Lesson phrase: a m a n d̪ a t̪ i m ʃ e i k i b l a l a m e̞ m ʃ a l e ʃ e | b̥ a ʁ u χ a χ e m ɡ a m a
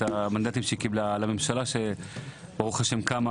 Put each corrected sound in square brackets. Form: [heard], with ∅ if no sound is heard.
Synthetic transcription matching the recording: a m a n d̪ a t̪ i m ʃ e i k i b l a l a m e̞ m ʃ a l [a] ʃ e | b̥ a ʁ u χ a [ʃ] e m [k] a m a